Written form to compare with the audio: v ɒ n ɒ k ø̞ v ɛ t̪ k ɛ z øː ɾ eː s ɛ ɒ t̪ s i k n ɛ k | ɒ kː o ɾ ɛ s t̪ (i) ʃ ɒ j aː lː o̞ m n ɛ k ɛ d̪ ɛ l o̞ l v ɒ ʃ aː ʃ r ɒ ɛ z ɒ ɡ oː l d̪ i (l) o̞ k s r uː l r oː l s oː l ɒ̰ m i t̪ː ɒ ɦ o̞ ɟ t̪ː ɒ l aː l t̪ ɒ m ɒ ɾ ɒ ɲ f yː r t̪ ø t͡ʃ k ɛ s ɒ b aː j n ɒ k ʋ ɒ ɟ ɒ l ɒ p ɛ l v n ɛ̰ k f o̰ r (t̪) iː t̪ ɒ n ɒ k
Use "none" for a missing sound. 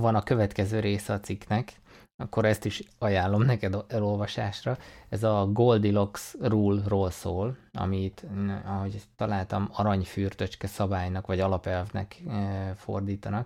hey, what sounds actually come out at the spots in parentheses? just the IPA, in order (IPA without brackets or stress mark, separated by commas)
i, l, d̪